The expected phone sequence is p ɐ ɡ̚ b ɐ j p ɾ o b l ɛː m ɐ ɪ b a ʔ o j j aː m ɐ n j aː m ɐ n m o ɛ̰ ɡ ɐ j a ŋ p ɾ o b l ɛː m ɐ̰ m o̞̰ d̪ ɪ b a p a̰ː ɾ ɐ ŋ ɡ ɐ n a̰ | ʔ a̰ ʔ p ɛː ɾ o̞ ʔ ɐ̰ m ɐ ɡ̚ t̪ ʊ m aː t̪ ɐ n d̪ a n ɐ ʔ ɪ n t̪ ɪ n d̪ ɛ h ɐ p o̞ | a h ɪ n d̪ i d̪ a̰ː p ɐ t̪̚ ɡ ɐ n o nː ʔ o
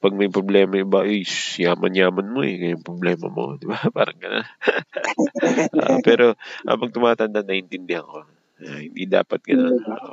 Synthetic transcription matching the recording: p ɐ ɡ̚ m ɐ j p ɾ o b l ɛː m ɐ ɪ b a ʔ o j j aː m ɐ n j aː m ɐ n m o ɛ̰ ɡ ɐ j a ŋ p ɾ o b l ɛː m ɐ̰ m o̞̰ d̪ ɪ b a p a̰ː ɾ ɐ ŋ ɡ ɐ n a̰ | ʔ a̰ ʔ p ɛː ɾ o̞ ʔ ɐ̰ m ɐ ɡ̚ t̪ ʊ m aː t̪ ɐ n d̪ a n ɐ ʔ ɪ n t̪ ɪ n d̪ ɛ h ɐ k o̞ | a h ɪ n d̪ i d̪ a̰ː p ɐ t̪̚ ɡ ɐ n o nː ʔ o